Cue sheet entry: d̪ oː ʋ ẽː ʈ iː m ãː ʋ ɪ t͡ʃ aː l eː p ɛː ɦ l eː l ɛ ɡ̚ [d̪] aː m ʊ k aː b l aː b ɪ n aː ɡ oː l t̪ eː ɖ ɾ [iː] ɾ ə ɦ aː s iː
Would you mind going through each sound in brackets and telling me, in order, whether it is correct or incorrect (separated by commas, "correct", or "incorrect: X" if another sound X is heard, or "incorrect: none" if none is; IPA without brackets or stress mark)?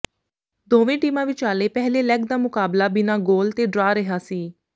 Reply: correct, incorrect: aː